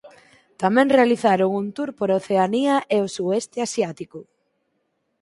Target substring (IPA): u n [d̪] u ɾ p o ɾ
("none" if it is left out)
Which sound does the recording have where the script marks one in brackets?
t̪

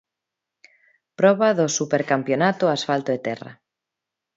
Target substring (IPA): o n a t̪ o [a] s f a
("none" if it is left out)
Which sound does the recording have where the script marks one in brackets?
a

